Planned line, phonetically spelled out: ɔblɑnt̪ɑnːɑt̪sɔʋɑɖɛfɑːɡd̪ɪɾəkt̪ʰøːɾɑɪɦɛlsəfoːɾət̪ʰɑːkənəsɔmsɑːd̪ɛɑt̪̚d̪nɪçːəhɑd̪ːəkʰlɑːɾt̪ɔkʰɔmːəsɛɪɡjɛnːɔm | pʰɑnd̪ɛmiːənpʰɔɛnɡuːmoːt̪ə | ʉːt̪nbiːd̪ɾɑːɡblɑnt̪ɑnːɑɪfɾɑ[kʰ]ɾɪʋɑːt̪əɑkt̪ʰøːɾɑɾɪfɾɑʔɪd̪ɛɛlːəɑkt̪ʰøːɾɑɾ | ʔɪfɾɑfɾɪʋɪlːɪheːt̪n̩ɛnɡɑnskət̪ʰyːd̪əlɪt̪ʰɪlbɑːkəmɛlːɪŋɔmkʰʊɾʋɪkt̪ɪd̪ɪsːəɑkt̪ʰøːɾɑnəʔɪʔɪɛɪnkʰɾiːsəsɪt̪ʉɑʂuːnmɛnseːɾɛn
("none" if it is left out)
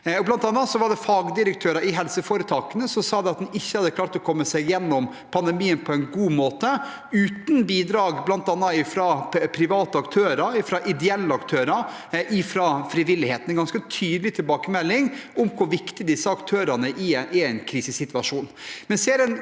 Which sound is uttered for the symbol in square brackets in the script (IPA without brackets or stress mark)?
pʰ